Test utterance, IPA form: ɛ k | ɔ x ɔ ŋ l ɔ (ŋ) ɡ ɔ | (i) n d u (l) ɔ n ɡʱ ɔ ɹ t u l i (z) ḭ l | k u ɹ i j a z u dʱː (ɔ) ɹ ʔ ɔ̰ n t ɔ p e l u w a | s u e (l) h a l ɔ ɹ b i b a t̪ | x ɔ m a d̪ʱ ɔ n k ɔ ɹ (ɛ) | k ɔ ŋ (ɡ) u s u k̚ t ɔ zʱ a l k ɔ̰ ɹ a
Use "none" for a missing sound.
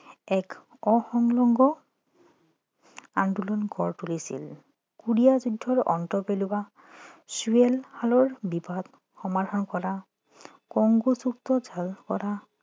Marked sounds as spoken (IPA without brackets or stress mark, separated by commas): ŋ, a, l, s, ɔ, l, a, ɡ